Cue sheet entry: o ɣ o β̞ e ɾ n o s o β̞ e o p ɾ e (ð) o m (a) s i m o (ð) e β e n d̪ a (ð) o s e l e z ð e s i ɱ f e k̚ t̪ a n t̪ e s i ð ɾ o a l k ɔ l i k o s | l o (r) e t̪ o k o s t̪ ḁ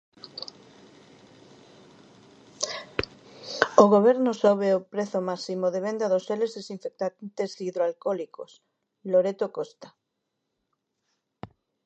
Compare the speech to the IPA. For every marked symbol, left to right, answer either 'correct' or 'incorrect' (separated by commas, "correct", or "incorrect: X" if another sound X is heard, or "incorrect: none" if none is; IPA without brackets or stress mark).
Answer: incorrect: θ, correct, correct, correct, incorrect: ɾ